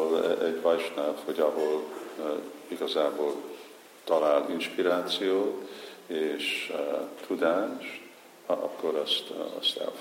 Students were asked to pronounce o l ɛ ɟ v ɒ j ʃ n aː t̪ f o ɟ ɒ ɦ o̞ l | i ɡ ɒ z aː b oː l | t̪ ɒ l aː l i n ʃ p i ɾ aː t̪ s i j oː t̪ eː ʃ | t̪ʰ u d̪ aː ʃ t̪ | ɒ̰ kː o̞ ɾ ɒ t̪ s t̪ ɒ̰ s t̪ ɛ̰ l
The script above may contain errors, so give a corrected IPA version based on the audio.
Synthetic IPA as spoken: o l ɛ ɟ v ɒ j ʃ n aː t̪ h o ɟ ɒ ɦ o̞ l | i ɡ ɒ z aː b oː l | t̪ ɒ l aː l i n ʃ p i ɾ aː t̪ s i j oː t̪ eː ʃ | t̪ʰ u d̪ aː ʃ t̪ | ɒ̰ kː o̞ ɾ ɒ s t̪ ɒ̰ s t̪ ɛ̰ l